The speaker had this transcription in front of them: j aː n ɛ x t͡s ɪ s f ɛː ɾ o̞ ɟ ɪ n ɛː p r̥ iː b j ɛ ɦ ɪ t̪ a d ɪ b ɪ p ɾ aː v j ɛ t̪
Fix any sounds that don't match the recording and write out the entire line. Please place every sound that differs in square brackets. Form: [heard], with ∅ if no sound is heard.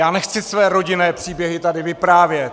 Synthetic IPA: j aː n ɛ x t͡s ɪ s [v] ɛː ɾ o̞ ɟ ɪ n ɛː p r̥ iː b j ɛ ɦ ɪ t̪ a d ɪ [v] ɪ p ɾ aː v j ɛ t̪